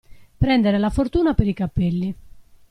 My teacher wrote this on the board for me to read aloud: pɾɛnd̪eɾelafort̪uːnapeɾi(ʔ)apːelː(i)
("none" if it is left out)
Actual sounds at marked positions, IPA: k, i

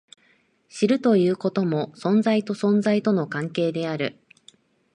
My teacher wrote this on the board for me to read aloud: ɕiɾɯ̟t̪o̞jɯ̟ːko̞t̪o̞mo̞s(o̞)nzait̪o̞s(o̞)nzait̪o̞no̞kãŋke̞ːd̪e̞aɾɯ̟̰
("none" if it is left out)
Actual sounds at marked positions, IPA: õ̞, õ̞

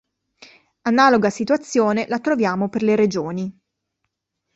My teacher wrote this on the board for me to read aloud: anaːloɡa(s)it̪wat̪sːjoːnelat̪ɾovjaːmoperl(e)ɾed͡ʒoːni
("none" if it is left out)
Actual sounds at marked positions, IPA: s, e

